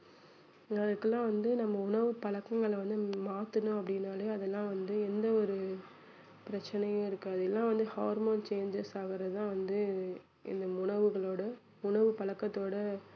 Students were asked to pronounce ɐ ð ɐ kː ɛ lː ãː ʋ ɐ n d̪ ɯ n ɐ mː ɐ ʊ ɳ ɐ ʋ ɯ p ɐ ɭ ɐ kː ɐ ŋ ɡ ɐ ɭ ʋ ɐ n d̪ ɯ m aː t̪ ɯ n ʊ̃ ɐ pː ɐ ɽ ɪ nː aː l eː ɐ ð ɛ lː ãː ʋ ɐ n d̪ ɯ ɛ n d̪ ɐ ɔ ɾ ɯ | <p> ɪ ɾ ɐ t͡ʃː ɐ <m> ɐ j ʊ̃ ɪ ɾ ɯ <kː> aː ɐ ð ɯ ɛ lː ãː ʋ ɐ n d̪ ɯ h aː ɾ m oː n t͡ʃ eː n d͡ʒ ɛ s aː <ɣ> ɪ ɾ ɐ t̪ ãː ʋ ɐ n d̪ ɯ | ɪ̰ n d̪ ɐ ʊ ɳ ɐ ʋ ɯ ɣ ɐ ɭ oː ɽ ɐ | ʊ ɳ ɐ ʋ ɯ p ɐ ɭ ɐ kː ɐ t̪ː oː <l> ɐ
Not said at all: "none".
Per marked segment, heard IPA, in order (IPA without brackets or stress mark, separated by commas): p, n, kː, ɣ, ɽ